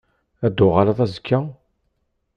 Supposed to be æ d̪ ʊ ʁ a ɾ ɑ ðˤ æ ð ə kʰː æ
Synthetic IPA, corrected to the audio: æ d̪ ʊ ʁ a l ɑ ðˤ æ z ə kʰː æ